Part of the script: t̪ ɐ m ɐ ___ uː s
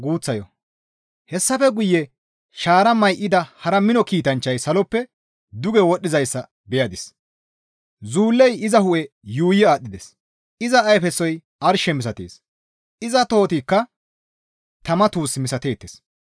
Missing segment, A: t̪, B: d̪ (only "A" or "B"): A